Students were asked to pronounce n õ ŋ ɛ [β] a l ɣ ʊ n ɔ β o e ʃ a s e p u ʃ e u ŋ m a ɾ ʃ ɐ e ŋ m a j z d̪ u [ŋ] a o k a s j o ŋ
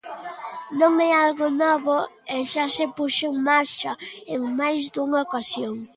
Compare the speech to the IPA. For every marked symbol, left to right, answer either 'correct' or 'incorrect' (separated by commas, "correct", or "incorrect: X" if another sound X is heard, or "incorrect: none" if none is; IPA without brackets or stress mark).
incorrect: none, correct